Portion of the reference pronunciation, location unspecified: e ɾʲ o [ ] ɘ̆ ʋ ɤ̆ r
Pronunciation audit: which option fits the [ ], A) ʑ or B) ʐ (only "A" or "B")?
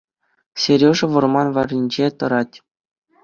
B